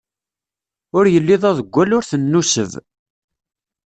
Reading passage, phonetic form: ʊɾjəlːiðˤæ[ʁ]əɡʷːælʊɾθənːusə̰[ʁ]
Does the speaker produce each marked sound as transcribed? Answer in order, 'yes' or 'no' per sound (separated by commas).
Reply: no, no